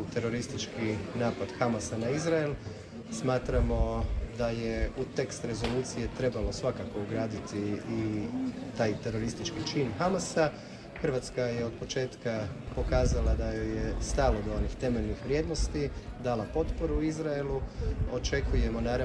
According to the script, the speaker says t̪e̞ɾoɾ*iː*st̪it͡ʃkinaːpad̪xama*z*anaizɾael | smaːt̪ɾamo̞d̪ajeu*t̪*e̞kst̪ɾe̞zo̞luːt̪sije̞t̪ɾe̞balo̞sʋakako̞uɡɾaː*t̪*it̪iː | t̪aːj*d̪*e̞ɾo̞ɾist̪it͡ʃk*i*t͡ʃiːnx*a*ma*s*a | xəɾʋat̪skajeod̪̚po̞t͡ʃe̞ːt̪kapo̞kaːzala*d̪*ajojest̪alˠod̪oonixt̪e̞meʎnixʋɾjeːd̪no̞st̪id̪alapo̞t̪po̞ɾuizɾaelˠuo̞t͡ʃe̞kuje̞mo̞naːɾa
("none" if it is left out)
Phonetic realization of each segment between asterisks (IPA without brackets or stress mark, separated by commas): i, s, t̪, d̪, t̪, i, a, s, d̪